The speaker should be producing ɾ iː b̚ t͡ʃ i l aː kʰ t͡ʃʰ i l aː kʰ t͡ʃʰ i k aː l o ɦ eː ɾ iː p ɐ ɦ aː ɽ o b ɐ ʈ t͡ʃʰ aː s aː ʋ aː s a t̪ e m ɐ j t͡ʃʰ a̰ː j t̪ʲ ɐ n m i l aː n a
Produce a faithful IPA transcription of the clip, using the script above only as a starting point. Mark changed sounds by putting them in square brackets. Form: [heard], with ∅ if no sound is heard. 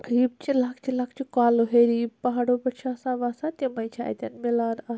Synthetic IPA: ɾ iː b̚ t͡ʃ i l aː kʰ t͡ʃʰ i l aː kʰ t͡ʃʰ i k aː l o ɦ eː ɾ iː p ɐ ɦ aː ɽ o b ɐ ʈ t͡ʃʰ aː s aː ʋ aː s a t̪ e m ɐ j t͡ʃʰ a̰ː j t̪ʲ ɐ n m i l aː n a